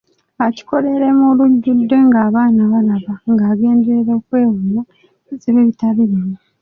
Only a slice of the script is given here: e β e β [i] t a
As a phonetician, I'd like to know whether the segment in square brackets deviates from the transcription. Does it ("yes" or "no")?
no